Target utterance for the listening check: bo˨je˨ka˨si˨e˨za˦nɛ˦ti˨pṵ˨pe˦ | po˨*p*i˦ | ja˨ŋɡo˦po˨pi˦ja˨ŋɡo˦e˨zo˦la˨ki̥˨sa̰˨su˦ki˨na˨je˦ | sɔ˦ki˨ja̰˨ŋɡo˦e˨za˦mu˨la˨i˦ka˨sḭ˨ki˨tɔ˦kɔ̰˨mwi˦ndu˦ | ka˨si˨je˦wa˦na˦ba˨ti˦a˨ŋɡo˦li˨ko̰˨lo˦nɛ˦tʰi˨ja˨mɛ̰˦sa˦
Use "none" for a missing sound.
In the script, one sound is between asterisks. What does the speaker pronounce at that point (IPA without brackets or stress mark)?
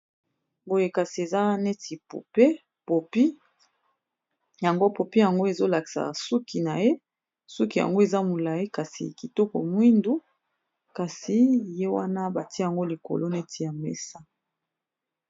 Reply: p